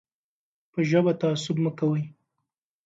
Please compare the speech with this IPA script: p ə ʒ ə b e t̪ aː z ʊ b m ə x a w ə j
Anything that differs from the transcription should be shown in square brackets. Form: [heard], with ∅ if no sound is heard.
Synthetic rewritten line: p ə ʒ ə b [a] t̪ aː [s] ʊ b m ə [k] a w ə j